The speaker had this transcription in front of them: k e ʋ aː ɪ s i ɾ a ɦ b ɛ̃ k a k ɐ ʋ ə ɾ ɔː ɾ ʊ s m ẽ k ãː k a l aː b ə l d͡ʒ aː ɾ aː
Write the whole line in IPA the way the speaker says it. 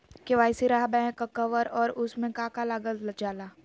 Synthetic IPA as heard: k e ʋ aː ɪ s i ɾ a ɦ b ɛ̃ k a k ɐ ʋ ə ɾ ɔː ɾ ʊ s m ẽ k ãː k a l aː ɡ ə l d͡ʒ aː l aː